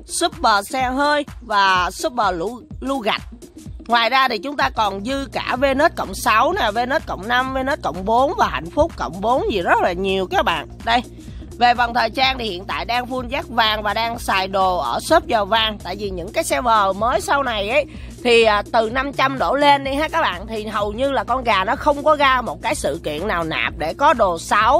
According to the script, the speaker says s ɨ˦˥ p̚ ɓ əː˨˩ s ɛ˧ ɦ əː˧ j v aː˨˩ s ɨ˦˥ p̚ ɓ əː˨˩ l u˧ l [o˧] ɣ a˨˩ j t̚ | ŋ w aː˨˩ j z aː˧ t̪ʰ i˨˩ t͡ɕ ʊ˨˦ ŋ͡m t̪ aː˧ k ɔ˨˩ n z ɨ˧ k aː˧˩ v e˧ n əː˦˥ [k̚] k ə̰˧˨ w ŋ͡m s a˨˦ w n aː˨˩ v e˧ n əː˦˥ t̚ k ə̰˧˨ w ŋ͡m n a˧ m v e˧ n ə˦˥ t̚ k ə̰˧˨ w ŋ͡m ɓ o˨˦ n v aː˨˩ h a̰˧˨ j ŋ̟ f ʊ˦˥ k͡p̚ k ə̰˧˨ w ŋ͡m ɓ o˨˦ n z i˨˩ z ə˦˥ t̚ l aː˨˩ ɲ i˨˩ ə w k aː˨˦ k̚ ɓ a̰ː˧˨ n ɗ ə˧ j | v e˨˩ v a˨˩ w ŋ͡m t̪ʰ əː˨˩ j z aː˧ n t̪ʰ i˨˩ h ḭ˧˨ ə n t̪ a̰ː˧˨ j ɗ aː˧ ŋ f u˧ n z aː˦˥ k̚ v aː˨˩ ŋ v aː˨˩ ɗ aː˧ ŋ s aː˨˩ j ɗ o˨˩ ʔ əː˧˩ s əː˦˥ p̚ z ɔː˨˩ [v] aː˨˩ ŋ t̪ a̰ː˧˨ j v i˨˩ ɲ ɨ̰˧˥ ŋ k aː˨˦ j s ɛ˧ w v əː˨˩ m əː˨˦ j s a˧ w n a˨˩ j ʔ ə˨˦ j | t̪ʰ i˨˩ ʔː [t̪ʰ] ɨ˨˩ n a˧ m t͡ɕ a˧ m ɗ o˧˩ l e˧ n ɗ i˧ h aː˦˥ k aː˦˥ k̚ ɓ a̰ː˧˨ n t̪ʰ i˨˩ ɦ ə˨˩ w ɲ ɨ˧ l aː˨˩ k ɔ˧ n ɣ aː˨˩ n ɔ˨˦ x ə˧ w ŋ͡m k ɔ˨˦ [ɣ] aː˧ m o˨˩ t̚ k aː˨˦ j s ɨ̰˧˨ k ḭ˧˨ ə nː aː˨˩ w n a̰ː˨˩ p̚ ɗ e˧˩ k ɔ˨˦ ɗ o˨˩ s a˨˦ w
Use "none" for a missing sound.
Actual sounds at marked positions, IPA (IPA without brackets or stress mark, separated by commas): u˧, t̚, v, t̪, ɣ